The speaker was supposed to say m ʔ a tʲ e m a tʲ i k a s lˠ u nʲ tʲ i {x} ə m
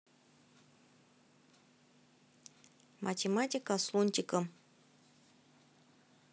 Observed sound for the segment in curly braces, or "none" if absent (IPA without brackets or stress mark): k